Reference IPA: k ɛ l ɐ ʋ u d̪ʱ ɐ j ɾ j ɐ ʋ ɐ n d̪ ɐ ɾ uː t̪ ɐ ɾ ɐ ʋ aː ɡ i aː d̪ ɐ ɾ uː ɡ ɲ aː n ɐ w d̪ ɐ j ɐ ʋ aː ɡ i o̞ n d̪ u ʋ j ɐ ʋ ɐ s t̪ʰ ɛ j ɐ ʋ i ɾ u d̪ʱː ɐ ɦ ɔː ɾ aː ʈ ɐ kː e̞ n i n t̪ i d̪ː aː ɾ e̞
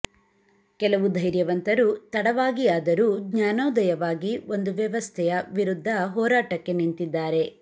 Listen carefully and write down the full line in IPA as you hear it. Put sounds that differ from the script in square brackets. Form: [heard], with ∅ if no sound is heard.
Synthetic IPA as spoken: k ɛ l ɐ ʋ u d̪ʱ ɐ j ɾ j ɐ ʋ ɐ n [t̪] ɐ ɾ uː t̪ ɐ [ɽ] ɐ ʋ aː ɡ i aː d̪ ɐ ɾ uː ɡ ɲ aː n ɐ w d̪ ɐ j ɐ ʋ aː ɡ i o̞ n d̪ u ʋ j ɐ ʋ ɐ s t̪ʰ ɛ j ɐ ʋ i ɾ u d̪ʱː ɐ ɦ ɔː ɾ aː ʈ ɐ kː e̞ n i n t̪ i d̪ː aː ɾ e̞

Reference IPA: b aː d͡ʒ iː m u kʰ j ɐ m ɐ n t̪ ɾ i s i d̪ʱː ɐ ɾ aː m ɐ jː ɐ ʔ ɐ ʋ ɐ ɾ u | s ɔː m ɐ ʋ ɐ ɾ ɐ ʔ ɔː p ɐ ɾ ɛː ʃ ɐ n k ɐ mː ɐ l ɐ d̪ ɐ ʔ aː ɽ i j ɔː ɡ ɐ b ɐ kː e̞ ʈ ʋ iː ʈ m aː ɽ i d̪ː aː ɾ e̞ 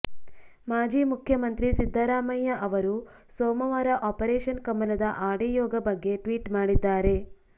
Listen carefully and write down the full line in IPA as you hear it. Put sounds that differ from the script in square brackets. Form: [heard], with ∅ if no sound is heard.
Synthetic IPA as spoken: [m] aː d͡ʒ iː m u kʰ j ɐ m ɐ n t̪ ɾ i s i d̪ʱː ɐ ɾ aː m ɐ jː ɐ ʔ ɐ ʋ ɐ ɾ u | s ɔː m ɐ ʋ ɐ ɾ ɐ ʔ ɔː p ɐ ɾ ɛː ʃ ɐ n k ɐ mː ɐ l ɐ d̪ ɐ ʔ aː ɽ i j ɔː ɡ ɐ b ɐ [ɡː] e̞ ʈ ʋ iː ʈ m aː ɽ i d̪ː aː ɾ e̞

